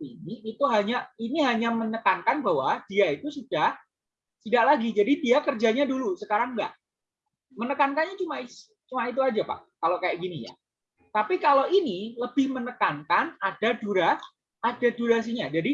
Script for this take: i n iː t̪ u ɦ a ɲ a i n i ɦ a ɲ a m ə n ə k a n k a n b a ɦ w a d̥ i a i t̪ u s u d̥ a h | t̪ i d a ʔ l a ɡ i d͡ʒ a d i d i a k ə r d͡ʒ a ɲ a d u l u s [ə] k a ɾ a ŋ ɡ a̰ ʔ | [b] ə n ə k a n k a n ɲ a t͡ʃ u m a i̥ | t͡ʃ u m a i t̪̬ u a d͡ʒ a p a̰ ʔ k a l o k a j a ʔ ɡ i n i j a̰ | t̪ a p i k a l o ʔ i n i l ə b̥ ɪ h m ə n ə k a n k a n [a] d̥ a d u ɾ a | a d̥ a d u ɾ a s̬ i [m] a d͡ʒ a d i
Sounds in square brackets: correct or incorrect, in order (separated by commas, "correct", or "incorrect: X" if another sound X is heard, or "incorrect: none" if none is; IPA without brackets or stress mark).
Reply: correct, incorrect: m, correct, incorrect: ɲ